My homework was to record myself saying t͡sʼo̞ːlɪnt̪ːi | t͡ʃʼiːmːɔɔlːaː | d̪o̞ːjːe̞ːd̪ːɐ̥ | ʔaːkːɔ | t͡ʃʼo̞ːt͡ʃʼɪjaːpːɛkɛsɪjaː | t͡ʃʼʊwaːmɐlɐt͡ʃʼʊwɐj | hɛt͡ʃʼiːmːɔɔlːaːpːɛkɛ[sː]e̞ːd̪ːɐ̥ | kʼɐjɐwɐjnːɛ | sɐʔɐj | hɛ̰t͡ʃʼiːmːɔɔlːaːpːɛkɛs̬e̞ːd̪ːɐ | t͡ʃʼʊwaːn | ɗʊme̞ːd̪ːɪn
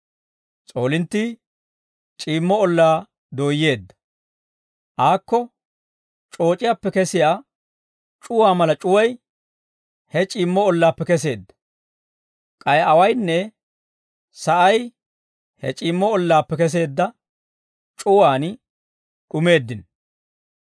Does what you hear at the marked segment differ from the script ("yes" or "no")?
yes